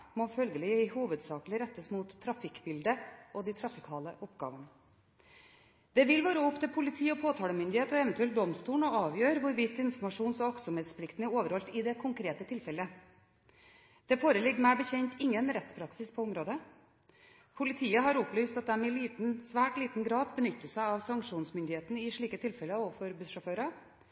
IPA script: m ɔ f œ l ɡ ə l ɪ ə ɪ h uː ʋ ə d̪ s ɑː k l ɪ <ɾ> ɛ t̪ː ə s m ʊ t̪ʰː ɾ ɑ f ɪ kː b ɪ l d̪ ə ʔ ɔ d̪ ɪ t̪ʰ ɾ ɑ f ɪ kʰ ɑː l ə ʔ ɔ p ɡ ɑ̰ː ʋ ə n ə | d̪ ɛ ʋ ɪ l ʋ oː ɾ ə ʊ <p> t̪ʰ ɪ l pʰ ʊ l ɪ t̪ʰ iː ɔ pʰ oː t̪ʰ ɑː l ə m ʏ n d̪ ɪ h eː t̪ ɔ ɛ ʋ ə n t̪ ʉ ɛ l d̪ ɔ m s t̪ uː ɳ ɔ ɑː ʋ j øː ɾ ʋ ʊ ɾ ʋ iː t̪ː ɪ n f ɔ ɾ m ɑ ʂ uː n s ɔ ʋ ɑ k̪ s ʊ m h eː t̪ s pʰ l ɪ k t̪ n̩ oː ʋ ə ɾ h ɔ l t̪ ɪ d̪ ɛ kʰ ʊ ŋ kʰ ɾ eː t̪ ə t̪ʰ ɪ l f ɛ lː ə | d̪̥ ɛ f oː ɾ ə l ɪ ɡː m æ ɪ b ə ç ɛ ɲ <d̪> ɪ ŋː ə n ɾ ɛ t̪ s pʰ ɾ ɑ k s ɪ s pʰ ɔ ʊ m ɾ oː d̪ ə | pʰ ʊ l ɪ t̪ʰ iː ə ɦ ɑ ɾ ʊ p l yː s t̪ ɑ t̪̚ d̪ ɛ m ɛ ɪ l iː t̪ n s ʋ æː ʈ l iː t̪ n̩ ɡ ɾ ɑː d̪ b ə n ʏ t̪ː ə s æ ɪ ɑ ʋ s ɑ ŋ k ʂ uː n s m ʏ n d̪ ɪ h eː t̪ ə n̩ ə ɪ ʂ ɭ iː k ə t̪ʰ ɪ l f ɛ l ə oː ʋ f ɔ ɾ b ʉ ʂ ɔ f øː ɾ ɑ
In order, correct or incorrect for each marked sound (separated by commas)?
correct, correct, incorrect